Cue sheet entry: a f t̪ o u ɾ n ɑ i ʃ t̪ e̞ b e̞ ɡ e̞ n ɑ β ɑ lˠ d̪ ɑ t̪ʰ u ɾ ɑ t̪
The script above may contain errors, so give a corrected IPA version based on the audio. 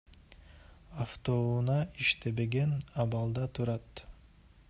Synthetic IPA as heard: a f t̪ o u n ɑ i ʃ t̪ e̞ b e̞ ɡ e̞ n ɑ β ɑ lˠ d̪ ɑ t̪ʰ u ɾ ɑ t̪